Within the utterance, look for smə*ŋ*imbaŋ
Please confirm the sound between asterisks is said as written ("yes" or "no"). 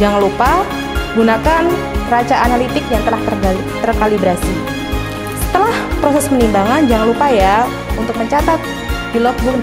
no